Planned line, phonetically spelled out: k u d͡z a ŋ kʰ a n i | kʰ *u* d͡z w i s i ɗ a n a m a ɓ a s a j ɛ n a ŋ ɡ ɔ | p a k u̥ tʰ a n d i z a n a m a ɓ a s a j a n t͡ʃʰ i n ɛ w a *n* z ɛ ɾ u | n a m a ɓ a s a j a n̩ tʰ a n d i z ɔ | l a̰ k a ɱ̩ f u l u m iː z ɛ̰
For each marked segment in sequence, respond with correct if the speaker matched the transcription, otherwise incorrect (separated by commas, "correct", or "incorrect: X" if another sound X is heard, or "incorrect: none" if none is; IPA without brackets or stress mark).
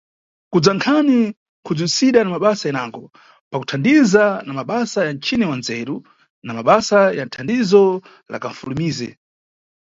correct, correct